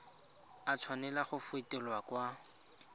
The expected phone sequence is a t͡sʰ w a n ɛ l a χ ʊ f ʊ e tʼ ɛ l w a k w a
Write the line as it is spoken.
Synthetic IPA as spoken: a t͡sʰ w a n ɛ l a χ ʊ f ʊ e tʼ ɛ l w a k w a